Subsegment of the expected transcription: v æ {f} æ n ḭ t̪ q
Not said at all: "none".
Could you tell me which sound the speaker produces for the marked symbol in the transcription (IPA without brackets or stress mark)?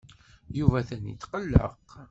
θ